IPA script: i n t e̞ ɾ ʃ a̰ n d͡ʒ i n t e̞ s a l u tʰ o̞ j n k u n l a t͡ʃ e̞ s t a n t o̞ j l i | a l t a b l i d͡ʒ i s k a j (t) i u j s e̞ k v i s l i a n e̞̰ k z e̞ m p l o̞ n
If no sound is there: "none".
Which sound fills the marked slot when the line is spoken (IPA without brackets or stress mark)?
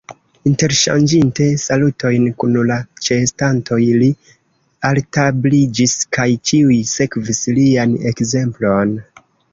t͡ʃ